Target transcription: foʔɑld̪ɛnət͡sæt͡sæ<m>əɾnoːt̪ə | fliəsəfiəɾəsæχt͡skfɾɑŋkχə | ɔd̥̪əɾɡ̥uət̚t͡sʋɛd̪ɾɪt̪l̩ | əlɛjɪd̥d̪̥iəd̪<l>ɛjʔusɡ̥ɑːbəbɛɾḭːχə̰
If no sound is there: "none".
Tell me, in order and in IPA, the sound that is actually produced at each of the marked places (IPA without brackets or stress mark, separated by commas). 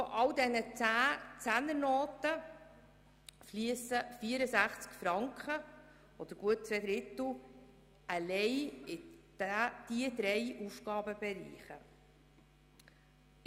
n, ɾ